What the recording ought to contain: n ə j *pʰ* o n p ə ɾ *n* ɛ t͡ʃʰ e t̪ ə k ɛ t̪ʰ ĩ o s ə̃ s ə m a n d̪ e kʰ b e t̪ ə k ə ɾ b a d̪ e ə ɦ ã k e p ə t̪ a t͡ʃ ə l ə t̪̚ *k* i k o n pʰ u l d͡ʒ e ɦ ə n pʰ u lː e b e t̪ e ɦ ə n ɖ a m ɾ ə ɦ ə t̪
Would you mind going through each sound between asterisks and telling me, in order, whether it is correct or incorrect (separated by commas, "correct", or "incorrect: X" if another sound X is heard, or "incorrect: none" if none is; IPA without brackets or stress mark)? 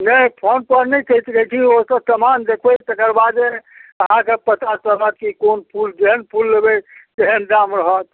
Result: correct, correct, correct